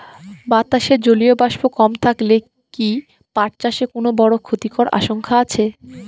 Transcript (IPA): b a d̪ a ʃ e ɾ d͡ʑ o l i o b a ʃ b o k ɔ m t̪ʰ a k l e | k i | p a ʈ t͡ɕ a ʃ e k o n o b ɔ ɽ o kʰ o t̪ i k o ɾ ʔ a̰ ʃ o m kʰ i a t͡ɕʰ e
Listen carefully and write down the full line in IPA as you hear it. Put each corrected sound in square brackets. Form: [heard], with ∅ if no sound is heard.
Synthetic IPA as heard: b a [t̪] a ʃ e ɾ d͡ʑ o l i o b a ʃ b o k ɔ m t̪ʰ a k l e | k i | p a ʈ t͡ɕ a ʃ e k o n o b ɔ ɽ o kʰ o t̪ i k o ɾ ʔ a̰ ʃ o [ŋ] kʰ [a] a t͡ɕʰ e